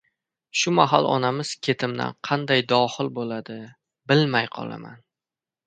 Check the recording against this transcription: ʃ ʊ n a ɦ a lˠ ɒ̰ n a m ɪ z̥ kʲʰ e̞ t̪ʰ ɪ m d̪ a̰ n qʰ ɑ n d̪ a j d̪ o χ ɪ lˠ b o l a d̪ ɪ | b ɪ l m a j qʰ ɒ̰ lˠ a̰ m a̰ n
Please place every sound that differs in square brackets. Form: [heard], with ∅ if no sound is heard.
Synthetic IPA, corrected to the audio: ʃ ʊ [m] a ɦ a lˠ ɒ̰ n a m ɪ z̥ kʲʰ e̞ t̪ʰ ɪ m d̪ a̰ n qʰ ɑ n d̪ a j d̪ [ɒ] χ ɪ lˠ b o l a d̪ ɪ | b ɪ l m a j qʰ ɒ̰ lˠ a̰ m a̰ n